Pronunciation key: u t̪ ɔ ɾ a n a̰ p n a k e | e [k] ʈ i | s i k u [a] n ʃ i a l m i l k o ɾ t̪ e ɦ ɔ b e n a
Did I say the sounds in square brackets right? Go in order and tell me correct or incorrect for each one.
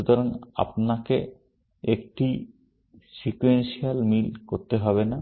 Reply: correct, incorrect

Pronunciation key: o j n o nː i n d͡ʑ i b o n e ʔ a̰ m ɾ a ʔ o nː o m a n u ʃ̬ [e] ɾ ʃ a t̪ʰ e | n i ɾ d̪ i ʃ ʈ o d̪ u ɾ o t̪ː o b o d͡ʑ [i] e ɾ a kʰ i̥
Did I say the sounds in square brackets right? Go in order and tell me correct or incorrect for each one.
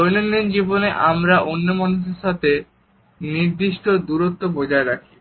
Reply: correct, incorrect

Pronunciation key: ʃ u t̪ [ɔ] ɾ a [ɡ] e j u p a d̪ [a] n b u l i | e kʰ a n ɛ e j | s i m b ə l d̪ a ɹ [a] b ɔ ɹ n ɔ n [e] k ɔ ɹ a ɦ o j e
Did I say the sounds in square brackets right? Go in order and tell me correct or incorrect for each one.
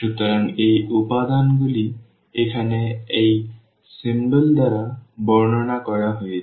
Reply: correct, incorrect, correct, correct, incorrect

